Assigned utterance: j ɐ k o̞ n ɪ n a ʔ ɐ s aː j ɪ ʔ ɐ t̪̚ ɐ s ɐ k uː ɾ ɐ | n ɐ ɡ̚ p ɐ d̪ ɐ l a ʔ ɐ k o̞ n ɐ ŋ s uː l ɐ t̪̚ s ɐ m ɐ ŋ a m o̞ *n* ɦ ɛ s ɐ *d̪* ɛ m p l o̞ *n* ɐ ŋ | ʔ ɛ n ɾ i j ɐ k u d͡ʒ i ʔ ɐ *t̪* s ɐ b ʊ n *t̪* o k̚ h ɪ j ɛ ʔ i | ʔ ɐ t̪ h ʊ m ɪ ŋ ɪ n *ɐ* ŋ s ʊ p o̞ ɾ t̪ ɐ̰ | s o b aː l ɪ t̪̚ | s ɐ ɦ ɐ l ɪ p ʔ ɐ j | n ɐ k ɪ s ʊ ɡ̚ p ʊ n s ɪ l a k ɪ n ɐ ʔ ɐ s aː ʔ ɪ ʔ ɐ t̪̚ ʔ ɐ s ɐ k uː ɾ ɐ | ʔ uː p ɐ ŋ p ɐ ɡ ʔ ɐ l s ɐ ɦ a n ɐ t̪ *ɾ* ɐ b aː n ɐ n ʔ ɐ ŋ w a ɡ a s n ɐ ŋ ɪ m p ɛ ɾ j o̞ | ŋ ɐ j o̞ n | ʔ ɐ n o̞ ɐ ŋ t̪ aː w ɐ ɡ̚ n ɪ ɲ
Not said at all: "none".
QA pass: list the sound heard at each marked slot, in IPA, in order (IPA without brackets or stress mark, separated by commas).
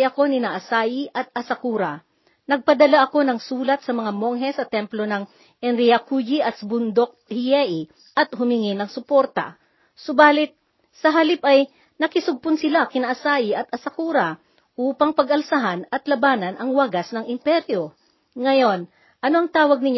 ŋ, t̪, n, t̪, d̪, ɐ, l